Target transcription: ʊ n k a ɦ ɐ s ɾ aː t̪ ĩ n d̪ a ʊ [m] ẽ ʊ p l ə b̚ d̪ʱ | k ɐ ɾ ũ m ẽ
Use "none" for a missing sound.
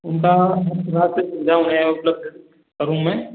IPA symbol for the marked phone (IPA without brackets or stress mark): n